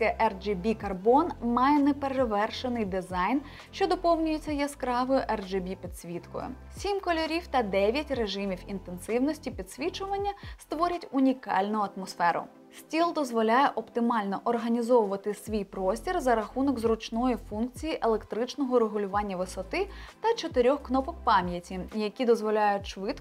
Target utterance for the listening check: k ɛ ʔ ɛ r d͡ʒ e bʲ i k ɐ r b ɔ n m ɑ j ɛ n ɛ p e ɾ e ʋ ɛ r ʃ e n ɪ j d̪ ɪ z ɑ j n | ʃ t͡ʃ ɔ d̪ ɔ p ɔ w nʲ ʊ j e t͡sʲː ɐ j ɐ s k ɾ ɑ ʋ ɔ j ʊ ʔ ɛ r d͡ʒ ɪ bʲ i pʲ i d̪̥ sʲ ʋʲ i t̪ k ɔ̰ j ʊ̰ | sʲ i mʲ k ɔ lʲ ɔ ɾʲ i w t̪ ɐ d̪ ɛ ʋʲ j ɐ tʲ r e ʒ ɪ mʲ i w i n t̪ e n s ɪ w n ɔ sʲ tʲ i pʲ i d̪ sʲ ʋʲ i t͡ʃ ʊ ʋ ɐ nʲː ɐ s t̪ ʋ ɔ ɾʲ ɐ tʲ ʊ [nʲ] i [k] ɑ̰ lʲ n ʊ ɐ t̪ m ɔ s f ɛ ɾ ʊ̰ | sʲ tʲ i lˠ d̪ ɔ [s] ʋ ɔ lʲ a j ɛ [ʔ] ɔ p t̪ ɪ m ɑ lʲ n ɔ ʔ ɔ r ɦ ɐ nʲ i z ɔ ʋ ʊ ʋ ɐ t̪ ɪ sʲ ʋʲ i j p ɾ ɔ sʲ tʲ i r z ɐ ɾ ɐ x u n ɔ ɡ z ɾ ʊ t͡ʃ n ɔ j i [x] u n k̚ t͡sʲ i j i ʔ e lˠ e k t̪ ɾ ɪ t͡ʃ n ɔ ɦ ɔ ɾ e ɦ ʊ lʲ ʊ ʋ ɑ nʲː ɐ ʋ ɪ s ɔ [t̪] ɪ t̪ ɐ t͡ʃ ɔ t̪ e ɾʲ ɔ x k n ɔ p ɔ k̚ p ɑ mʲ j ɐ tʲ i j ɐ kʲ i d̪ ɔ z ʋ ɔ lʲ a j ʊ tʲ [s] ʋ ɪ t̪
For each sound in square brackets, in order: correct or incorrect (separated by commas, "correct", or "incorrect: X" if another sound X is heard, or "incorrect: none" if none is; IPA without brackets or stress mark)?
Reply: correct, correct, incorrect: z, correct, incorrect: f, correct, incorrect: ʃ